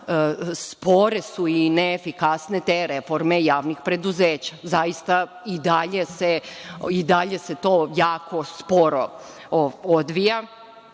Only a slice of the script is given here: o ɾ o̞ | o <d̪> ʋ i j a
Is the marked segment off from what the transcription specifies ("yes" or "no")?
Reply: no